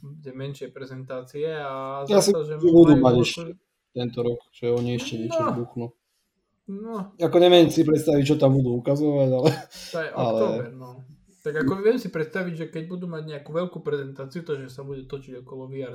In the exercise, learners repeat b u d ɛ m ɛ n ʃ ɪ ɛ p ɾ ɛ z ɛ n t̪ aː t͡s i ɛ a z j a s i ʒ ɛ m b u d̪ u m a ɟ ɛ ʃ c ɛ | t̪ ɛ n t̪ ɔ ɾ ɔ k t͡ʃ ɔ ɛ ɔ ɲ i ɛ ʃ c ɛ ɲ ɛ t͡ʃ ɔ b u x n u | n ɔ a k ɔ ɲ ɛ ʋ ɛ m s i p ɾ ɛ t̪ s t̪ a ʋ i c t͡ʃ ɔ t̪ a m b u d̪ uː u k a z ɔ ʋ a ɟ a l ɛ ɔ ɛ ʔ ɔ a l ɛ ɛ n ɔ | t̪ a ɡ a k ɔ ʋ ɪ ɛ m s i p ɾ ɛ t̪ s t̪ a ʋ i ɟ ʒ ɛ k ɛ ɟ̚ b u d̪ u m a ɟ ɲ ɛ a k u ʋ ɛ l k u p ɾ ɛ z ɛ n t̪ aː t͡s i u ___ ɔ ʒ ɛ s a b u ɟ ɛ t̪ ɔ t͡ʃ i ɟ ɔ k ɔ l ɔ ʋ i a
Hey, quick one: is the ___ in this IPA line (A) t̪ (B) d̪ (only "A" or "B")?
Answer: A